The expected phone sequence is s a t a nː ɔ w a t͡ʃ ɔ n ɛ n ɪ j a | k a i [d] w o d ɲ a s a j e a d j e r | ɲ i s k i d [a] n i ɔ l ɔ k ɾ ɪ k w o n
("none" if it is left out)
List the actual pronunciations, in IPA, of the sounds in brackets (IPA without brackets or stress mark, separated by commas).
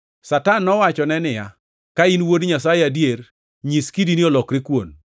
n, i